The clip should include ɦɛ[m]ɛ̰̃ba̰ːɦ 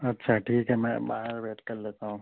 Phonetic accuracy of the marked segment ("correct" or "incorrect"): correct